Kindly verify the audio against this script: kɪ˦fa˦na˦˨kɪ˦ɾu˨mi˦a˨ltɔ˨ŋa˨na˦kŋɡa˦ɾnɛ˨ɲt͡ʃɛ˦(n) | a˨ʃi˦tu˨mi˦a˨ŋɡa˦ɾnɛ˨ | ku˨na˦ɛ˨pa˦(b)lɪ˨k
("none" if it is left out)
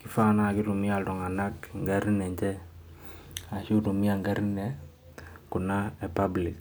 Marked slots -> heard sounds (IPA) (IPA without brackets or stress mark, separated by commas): none, b